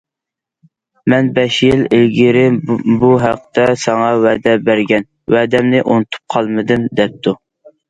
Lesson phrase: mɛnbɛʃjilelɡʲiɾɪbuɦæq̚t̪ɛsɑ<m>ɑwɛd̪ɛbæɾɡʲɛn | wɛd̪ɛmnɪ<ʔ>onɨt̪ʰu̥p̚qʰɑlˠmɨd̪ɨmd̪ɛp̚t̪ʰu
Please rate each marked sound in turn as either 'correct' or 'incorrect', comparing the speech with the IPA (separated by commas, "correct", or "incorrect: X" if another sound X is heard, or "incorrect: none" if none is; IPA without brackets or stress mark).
incorrect: ŋ, correct